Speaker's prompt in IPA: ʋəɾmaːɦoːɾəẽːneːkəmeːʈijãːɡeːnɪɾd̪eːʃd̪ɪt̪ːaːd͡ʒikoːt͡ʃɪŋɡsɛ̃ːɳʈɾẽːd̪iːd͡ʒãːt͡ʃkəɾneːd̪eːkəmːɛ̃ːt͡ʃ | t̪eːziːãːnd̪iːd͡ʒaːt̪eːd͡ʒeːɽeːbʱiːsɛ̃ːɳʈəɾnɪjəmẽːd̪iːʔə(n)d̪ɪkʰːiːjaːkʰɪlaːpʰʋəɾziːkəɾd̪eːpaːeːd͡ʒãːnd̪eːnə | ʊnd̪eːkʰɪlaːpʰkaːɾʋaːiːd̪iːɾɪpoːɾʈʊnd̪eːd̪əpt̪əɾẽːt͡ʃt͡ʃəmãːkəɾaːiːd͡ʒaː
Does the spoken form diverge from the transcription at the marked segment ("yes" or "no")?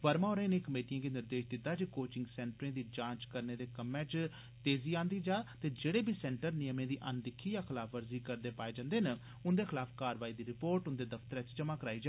no